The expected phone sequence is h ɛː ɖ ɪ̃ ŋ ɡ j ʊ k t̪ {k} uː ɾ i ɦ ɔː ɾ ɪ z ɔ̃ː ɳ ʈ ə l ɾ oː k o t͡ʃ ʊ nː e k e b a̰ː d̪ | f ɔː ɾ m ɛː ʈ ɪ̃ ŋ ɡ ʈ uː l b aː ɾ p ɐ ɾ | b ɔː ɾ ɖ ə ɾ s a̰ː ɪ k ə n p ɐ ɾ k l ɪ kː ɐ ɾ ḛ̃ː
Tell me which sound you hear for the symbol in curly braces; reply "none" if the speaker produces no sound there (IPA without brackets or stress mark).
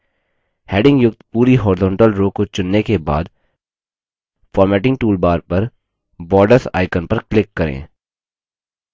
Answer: p